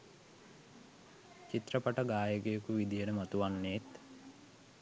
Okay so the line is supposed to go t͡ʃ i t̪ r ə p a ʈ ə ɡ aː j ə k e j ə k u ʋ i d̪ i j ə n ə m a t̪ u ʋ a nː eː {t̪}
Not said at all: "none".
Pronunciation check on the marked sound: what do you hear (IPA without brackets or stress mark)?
t̪